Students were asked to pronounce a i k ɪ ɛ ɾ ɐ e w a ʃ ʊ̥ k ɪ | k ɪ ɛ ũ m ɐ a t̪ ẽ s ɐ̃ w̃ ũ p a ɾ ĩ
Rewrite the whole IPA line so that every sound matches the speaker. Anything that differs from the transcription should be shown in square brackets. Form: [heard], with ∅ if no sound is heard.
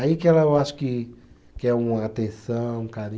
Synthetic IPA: a i k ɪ ɛ [l] ɐ e w a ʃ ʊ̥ k ɪ | k ɪ ɛ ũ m ɐ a t̪ ẽ s ɐ̃ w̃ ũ [k] a ɾ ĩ

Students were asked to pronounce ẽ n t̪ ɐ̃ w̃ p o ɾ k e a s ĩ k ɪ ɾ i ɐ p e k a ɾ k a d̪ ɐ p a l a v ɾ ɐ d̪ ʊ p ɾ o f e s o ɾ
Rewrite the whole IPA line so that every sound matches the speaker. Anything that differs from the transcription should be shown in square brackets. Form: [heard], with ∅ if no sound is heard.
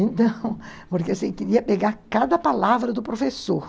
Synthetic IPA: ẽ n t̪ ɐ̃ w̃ p o ɾ k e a s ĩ k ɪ ɾ i ɐ p e [ɡ] a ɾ k a d̪ ɐ p a l a v ɾ ɐ d̪ ʊ p ɾ o f e s o ɾ

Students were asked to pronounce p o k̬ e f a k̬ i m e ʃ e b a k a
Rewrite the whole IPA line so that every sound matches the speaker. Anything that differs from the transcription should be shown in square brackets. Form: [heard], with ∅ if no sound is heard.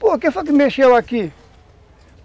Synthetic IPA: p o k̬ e f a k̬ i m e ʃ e [w] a k [i]

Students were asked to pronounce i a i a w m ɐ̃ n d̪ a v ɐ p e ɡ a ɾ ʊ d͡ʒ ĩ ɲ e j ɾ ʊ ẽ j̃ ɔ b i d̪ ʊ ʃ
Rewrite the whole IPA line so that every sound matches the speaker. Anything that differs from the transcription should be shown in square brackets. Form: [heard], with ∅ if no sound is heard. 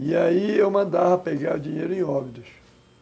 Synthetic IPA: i a i [e] w m ɐ̃ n d̪ a v ɐ p e ɡ a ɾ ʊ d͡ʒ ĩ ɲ e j ɾ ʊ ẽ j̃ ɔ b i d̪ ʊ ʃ

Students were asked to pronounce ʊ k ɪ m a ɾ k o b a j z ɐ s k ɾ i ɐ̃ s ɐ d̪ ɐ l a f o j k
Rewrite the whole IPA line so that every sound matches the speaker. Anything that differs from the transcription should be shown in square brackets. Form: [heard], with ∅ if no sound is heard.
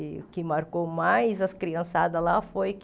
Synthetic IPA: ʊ k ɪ m a ɾ k o [m] a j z ɐ s k ɾ i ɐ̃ s [a] d̪ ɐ l a f o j k

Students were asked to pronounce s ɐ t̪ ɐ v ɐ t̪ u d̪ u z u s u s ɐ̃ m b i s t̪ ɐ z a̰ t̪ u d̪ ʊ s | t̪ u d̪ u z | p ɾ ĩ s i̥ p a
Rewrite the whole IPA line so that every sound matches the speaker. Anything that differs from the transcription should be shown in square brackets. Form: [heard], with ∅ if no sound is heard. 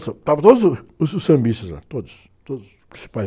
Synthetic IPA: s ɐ t̪ [a] v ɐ t̪ [o] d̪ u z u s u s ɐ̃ m b i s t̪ ɐ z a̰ t̪ [o] d̪ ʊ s | t̪ [o] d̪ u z | p ɾ ĩ s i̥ p a

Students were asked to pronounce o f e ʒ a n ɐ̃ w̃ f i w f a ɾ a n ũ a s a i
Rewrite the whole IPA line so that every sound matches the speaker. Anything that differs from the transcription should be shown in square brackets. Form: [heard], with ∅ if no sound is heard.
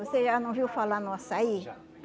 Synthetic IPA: o [s] e ʒ a n ɐ̃ w̃ [v] i w f a [l] a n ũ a s a i

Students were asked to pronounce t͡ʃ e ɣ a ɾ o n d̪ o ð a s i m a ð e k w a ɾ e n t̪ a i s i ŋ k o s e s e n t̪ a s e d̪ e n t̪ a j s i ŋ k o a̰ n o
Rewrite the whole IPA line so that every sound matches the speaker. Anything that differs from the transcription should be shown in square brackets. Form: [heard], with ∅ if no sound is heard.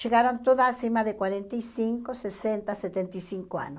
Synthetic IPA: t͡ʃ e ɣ a ɾ o n [t̪] o ð a s i m a ð e k w a ɾ e n t̪ a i s i ŋ k o s e s e n t̪ a s e [t̪] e n t̪ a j s i ŋ k o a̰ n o

